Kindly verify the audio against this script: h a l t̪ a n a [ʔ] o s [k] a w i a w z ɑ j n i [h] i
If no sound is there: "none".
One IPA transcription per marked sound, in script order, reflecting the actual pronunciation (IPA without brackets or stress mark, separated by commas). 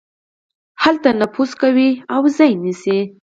p, k, s